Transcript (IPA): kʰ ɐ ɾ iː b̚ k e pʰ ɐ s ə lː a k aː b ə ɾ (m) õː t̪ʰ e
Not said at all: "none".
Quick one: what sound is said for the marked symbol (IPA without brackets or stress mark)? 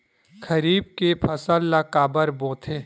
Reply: b